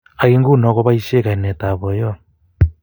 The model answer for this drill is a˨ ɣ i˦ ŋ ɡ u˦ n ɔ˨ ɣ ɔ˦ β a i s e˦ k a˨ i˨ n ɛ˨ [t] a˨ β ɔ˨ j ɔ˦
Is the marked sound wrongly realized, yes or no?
no